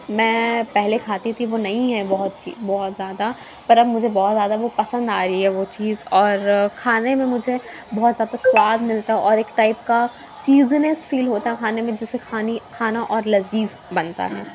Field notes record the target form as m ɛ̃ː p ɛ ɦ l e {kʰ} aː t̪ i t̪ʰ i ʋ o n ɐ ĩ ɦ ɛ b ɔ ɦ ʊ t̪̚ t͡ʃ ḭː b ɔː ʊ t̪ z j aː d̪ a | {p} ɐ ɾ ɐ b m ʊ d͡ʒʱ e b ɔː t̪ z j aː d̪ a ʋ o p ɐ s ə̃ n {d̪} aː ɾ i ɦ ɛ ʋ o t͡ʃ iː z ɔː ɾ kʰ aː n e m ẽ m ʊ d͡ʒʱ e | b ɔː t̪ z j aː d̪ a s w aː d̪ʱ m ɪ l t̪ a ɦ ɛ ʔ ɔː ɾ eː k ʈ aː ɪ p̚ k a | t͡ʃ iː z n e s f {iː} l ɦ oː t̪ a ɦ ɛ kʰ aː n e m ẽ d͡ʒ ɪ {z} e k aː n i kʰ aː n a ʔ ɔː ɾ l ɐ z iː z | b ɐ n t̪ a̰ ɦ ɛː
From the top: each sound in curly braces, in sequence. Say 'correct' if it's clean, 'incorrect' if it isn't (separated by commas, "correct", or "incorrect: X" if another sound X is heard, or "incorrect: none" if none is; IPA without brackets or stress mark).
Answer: correct, correct, correct, correct, incorrect: s